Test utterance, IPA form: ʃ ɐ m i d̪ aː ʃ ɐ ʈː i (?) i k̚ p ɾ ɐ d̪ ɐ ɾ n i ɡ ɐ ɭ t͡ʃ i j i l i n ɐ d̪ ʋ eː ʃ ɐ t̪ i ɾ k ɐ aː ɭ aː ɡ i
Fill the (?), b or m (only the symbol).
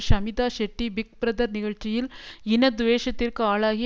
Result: b